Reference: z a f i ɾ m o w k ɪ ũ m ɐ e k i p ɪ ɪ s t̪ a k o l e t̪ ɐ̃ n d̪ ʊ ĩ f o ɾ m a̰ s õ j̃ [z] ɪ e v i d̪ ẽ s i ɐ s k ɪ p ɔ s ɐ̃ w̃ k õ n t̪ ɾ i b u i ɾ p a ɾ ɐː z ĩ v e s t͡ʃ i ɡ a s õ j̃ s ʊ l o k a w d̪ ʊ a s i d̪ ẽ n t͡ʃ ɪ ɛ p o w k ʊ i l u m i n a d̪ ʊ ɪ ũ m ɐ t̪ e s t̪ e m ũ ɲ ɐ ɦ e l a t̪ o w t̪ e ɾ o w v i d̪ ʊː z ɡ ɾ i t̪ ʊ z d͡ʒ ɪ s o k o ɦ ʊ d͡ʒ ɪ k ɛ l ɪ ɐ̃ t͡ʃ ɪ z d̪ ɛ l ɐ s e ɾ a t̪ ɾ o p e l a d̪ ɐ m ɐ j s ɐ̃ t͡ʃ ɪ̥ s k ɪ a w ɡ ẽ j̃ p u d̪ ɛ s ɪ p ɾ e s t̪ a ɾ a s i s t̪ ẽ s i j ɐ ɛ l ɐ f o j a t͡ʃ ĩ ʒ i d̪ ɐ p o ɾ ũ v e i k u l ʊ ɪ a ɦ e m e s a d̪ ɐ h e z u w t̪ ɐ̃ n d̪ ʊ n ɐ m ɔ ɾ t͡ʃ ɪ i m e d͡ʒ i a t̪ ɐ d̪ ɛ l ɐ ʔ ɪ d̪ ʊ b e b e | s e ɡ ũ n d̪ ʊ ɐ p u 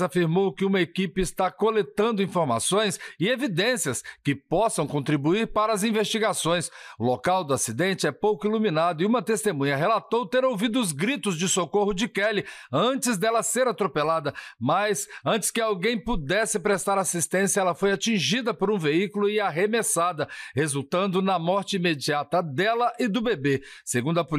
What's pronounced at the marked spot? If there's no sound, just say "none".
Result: s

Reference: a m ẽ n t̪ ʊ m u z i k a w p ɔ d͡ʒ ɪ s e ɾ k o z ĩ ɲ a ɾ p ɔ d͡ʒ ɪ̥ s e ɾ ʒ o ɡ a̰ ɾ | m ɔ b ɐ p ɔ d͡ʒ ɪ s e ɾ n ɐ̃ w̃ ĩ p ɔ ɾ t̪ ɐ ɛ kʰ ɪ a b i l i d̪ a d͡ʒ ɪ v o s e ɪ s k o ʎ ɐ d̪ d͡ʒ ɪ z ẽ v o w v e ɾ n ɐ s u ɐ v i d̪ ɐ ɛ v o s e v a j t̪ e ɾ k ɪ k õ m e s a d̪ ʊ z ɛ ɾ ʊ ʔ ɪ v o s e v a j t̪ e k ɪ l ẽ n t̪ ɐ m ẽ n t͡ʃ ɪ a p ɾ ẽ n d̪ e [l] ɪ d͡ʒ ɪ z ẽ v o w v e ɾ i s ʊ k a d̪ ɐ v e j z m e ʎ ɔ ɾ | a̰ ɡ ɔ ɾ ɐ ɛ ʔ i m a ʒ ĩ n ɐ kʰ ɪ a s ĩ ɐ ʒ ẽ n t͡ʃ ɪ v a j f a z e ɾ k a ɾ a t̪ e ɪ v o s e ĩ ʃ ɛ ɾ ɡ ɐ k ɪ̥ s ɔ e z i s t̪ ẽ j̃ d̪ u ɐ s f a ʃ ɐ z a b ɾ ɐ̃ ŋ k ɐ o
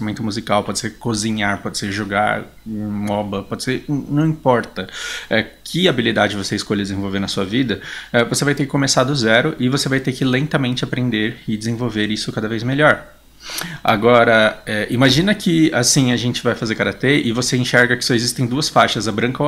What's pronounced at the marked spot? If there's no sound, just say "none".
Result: ɾ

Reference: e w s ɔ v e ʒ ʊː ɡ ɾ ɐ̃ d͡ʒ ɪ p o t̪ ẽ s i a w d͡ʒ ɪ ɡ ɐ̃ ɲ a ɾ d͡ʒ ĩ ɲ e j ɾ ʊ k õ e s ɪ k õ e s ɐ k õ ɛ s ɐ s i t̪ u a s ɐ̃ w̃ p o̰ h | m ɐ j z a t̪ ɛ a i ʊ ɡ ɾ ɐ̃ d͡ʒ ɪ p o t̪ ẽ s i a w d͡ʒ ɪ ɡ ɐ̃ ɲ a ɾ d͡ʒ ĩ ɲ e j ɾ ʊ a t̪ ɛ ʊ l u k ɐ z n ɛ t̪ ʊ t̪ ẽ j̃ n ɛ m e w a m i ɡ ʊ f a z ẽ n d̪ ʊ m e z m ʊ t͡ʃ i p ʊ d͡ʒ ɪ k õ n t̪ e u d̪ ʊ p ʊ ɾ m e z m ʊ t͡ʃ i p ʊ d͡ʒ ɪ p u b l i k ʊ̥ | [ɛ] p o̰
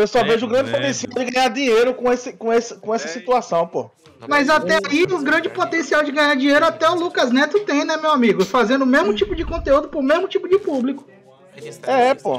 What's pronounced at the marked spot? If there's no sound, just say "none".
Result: ɛ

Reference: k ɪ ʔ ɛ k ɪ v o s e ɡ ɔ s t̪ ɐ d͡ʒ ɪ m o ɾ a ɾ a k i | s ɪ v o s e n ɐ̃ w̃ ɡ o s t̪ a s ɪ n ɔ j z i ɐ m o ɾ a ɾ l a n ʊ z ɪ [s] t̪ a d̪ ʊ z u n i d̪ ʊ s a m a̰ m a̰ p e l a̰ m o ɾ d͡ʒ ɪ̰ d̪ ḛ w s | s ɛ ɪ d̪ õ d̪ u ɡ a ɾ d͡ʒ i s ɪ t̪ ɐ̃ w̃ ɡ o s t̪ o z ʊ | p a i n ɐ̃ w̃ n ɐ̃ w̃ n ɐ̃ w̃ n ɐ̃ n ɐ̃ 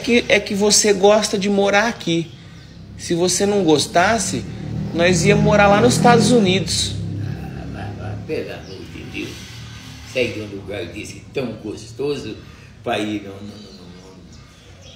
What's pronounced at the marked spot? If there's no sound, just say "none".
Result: s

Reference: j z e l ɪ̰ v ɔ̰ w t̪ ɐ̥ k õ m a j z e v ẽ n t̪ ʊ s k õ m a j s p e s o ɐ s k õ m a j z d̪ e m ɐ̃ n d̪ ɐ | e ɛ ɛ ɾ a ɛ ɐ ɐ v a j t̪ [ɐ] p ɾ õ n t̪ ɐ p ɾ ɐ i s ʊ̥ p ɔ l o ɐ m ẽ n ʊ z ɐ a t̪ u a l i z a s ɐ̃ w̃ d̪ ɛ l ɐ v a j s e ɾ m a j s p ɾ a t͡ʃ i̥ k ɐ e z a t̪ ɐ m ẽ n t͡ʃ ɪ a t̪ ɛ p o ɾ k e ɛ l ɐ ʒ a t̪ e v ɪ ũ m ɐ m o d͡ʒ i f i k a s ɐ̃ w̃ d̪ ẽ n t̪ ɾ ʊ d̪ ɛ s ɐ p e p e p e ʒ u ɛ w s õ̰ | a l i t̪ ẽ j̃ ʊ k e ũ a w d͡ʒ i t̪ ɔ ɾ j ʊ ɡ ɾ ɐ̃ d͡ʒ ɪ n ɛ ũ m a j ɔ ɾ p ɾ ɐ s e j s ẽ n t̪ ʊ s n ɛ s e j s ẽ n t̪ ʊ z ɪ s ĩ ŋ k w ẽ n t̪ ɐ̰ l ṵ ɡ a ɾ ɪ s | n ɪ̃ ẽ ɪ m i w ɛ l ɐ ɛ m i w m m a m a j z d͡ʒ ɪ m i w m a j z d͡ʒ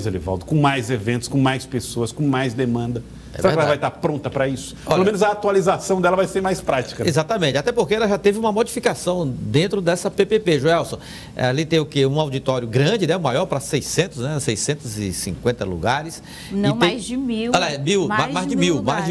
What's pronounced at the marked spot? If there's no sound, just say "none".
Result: a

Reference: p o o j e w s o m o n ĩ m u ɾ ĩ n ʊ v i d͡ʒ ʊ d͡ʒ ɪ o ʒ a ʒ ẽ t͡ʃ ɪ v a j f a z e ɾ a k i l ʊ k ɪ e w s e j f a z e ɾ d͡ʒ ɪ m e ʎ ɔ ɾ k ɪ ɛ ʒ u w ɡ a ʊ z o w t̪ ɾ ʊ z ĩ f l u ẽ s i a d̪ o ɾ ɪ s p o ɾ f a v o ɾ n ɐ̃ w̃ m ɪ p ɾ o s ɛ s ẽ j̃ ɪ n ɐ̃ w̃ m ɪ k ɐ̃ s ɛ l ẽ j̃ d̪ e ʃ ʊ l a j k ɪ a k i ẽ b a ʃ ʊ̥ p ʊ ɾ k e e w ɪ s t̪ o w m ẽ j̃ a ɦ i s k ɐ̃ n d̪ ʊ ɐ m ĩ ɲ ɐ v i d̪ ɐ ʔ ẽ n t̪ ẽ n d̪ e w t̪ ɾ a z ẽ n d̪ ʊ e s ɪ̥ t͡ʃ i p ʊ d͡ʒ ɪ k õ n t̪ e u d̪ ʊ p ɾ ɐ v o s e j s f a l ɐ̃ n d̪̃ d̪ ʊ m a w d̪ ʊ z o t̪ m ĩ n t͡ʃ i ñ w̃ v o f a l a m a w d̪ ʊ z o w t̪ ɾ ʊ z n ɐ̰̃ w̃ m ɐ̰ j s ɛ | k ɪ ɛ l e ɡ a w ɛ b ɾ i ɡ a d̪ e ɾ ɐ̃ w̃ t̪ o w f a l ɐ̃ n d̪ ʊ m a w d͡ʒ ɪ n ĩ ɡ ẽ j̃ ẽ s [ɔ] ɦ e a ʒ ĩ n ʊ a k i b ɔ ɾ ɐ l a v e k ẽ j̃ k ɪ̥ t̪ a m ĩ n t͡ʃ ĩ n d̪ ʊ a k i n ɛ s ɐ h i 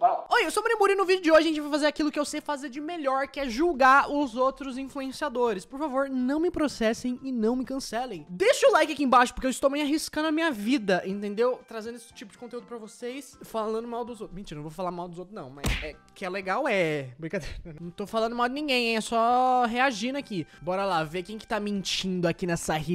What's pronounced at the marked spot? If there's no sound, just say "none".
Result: ɔ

